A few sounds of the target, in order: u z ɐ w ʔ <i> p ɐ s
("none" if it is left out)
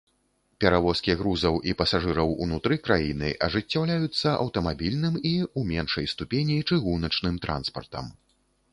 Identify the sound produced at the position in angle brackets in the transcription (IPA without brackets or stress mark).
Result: i